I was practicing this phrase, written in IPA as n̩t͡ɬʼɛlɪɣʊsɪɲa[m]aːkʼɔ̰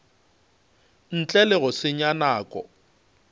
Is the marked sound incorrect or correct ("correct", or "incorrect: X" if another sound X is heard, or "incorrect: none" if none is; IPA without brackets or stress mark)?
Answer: incorrect: n